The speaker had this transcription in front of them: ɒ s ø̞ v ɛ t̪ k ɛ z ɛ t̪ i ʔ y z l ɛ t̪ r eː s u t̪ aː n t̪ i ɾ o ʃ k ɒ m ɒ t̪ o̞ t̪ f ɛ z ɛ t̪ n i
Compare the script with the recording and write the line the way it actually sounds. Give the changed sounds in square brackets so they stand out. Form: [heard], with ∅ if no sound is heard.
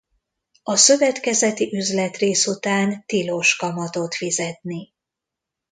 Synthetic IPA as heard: ɒ s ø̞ v ɛ t̪ k ɛ z ɛ t̪ i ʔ y z l ɛ t̪ r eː s u t̪ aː n t̪ i [l] o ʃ k ɒ m ɒ t̪ o̞ t̪ f [i] z ɛ t̪ n i